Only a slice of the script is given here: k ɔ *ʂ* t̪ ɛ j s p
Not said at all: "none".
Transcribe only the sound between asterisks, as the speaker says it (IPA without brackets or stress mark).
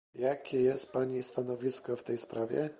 f